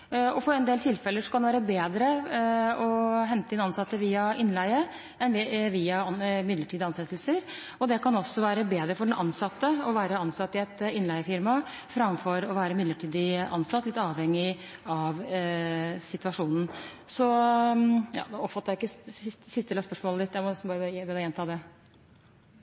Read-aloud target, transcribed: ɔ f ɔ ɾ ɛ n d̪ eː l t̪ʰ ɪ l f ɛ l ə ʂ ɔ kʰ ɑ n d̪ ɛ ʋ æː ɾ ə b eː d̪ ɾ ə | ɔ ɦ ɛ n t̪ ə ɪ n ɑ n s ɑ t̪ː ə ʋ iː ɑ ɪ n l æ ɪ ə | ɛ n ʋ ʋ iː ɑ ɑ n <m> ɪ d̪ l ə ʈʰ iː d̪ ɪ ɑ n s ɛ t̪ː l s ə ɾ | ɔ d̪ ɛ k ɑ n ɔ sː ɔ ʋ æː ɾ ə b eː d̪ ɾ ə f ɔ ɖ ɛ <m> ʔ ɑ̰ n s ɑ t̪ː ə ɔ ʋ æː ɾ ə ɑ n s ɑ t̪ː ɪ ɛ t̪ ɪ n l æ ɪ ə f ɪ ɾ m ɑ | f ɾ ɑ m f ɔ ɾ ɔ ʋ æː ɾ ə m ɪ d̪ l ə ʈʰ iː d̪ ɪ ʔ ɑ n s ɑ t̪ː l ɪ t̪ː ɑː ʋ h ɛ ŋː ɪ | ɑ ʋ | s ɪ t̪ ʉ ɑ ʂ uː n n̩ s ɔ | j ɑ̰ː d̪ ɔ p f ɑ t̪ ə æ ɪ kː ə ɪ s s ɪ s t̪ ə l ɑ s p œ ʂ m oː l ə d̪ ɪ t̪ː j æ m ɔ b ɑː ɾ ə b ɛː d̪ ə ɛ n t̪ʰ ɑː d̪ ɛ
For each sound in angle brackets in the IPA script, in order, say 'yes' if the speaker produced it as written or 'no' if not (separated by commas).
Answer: yes, no